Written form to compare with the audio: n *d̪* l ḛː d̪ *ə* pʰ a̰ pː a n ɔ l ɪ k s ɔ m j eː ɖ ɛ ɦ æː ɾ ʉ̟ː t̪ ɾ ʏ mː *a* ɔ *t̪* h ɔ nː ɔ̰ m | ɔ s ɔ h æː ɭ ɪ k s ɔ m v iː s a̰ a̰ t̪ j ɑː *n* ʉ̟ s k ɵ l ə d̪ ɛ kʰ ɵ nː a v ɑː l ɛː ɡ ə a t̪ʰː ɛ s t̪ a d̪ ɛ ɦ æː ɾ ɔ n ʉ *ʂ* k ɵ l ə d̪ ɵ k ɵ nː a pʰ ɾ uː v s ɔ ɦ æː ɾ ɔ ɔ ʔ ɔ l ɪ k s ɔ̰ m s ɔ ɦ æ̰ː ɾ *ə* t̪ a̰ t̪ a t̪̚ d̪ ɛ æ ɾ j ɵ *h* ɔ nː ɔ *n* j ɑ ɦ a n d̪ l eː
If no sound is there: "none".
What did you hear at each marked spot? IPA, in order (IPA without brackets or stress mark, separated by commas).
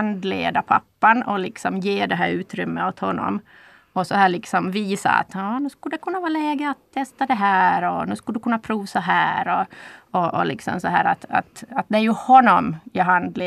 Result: d̪, a, ə, t̪, n, s, a, h, m